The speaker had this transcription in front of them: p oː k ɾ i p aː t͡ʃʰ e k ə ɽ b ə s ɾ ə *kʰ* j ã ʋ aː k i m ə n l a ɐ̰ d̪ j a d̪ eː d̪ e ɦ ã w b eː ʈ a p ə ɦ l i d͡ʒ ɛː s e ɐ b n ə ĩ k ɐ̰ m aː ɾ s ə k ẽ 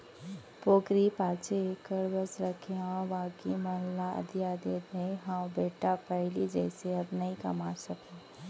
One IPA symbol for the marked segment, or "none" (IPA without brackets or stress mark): kʰ